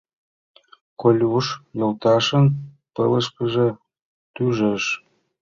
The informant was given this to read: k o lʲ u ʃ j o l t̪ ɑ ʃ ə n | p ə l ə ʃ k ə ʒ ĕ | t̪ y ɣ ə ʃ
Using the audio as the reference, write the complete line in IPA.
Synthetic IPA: k o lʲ u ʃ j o l t̪ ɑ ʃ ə n | p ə l ə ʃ k ə ʒ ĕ | t̪ y ʒ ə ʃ

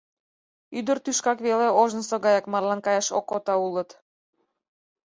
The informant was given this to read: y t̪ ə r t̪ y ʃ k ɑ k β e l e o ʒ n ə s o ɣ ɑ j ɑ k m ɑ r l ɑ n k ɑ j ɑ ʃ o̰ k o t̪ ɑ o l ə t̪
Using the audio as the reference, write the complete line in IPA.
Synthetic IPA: y d̪ ə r t̪ y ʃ k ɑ k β e l e o ʒ n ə s o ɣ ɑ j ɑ k m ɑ r l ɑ n k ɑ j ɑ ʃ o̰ k o t̪ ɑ u l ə t̪

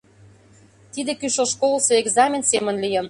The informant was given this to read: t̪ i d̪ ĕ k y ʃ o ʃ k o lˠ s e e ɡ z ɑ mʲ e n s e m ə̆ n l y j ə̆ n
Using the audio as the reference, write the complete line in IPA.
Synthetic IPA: t̪ i d̪ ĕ k y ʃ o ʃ k o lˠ s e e ɡ z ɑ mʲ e n s e m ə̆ n l i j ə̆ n

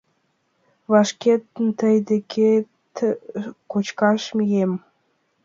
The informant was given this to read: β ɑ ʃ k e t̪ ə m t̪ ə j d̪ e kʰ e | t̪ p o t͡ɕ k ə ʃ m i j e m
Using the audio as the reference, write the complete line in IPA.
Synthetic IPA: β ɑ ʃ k e t̪ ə n t̪ ə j d̪ e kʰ e | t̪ k o t͡ɕ k ɑ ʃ m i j e m

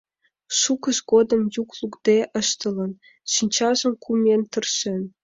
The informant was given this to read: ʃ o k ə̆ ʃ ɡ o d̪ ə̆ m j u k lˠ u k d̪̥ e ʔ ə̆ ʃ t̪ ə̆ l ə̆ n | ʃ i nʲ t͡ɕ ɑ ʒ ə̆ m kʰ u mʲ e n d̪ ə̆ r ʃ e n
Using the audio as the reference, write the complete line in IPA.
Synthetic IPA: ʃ u k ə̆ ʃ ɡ o d̪ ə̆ m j u k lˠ u k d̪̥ e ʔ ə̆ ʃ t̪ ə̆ l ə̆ n | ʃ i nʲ t͡ɕ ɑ ʒ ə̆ m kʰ u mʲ e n t̪ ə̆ r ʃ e n

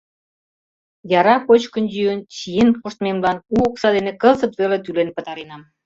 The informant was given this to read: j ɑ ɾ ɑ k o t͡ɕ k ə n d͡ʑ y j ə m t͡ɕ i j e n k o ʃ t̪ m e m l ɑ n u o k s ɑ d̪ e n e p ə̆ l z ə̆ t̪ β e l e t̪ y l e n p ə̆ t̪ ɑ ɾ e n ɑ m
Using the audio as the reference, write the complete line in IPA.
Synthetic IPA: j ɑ ɾ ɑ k o t͡ɕ k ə n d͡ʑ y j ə n t͡ɕ i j e n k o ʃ t̪ m e m l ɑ n u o k s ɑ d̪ e n e k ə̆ l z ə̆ t̪ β e l e t̪ y l e n p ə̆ t̪ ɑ ɾ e n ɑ m

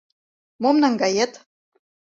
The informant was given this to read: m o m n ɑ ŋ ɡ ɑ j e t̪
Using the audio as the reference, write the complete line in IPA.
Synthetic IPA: m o m n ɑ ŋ ɡ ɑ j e t̪

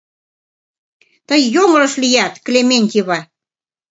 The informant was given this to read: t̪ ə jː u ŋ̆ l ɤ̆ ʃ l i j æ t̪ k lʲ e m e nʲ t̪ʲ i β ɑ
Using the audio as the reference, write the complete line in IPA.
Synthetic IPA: t̪ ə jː o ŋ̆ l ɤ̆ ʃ l i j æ t̪ k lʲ e m e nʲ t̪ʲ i β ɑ

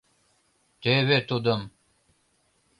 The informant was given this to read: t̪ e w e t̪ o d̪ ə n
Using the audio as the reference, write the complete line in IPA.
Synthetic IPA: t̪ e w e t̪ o d̪ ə m

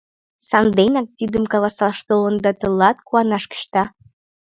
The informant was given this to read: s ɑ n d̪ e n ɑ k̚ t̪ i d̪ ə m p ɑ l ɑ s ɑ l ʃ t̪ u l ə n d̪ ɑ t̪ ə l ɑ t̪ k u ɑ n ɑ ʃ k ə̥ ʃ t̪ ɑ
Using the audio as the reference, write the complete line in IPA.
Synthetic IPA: s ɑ n d̪ e n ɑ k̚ t̪ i d̪ ə m k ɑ l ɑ s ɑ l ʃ t̪ o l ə n d̪ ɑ t̪ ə l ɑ t̪ k u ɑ n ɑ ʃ k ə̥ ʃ t̪ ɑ

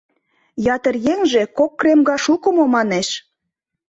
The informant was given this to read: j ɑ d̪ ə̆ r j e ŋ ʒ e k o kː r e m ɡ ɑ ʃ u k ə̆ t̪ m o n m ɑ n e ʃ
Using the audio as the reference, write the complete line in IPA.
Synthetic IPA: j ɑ t̪ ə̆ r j e ŋ ʒ e k o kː r e m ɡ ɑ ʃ u k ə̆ m o m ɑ n e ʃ

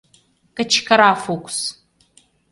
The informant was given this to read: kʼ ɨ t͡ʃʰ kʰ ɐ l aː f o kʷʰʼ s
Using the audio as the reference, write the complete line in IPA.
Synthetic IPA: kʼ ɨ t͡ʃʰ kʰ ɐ ɾ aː f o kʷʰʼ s

